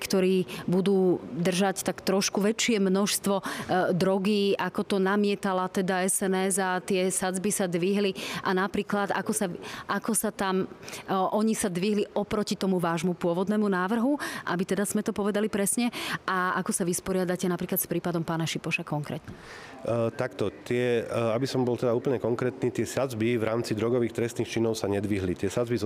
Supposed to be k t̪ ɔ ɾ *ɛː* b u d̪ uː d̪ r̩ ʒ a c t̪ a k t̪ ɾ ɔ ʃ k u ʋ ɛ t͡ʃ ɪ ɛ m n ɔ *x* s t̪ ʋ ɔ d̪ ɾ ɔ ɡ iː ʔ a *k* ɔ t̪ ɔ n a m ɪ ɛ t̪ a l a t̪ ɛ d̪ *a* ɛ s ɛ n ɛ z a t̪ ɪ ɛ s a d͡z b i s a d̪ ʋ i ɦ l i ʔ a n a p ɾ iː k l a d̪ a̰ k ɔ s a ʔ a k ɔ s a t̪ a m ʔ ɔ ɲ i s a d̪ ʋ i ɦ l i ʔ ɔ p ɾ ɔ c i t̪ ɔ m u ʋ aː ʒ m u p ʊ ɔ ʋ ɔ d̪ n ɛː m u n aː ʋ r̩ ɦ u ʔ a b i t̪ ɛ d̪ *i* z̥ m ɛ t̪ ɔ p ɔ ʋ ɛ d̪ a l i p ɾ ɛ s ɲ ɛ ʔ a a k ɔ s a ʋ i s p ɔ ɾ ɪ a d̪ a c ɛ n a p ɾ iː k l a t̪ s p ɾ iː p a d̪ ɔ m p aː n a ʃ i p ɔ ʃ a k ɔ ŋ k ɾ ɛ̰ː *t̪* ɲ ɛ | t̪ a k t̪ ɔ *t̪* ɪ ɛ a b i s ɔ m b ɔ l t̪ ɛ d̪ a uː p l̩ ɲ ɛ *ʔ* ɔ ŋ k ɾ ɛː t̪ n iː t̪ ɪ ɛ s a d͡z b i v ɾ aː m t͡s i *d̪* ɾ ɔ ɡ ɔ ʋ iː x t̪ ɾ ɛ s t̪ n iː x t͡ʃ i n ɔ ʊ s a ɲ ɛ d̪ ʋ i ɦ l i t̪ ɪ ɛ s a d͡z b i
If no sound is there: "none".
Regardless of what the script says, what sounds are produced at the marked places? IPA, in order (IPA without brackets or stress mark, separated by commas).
iː, ʃ, k, a, a, t̪, t̪, k, d̪